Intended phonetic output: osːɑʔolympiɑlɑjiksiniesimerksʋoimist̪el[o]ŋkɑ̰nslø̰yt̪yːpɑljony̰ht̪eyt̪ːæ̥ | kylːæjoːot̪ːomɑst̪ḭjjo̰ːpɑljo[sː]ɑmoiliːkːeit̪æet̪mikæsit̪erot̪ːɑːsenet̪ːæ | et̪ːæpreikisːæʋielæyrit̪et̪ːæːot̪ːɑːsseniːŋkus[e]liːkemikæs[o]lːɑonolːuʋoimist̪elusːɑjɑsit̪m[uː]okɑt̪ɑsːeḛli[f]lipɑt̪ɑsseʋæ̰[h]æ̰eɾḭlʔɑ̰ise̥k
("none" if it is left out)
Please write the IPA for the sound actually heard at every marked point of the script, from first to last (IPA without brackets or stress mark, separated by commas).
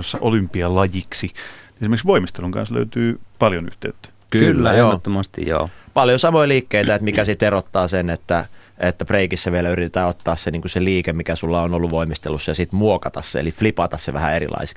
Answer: u, s, e, u, u, f, h